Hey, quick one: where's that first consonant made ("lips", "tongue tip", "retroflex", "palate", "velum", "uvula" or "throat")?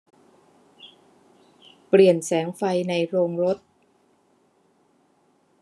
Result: lips